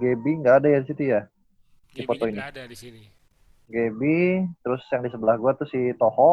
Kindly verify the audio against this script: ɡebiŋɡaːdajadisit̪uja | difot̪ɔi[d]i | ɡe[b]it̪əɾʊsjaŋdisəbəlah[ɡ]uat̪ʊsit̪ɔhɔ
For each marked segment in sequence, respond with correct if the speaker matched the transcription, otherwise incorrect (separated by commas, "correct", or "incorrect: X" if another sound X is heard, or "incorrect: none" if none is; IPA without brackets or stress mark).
incorrect: n, correct, correct